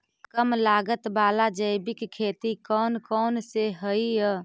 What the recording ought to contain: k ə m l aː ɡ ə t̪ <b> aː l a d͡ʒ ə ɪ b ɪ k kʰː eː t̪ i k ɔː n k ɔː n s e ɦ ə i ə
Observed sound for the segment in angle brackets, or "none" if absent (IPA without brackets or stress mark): b